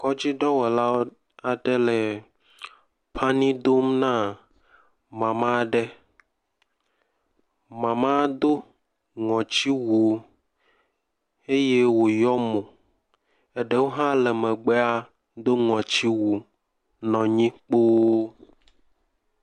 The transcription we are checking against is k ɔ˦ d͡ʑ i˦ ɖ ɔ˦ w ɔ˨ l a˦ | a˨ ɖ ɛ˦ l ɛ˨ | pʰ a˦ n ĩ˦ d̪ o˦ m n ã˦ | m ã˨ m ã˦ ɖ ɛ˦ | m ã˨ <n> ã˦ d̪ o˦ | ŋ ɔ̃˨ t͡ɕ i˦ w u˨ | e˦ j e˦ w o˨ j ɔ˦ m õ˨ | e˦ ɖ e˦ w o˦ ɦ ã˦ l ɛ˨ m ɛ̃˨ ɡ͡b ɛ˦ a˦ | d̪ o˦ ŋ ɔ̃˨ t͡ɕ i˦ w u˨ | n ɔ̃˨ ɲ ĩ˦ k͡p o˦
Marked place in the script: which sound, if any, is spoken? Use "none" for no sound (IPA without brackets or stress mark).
m